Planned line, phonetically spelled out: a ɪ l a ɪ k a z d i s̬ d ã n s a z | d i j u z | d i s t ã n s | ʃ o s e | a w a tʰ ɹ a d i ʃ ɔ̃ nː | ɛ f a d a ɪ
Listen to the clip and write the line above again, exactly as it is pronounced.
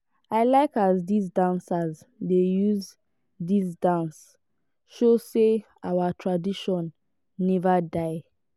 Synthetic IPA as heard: a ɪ l a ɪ k a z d i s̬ d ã n s a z | d e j u z | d i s d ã n s | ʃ o s e | a w a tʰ ɹ a d i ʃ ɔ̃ nː | ɛ v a d a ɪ